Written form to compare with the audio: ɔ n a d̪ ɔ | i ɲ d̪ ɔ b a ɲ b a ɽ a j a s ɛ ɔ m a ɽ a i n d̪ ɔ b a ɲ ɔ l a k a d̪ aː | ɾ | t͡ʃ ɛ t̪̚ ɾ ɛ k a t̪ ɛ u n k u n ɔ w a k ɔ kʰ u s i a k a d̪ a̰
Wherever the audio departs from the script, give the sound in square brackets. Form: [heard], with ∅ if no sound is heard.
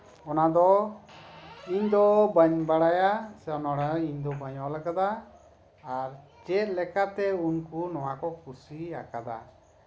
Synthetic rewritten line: ɔ n a d̪ ɔ | i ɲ d̪ ɔ b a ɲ b a ɽ a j a s ɛ ɔ [n] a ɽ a i [ɲ] d̪ ɔ b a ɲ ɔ l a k a d̪ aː | ɾ | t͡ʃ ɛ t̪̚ [l] ɛ k a t̪ ɛ u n k u n ɔ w a k ɔ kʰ u s i a k a d̪ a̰